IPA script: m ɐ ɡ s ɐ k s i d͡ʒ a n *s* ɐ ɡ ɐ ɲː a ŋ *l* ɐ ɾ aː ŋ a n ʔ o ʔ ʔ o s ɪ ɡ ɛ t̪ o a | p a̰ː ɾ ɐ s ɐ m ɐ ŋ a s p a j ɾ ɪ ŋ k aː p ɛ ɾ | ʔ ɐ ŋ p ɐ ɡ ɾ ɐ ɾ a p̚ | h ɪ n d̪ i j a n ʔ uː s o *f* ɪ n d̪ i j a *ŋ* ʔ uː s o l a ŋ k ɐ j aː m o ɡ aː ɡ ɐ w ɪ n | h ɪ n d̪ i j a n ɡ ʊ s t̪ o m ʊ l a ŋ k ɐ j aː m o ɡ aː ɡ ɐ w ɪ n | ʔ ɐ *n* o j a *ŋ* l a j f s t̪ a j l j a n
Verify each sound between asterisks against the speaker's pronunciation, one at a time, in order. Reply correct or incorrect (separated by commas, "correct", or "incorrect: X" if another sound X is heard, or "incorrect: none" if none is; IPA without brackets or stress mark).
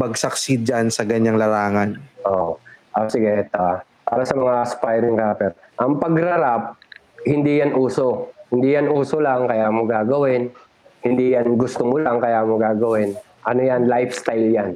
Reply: correct, correct, incorrect: h, incorrect: n, correct, incorrect: n